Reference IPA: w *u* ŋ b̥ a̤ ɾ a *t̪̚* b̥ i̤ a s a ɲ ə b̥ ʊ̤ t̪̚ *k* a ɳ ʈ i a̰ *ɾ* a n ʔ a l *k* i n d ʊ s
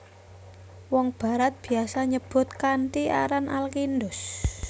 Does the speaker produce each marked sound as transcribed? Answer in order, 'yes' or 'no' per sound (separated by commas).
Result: no, yes, yes, yes, yes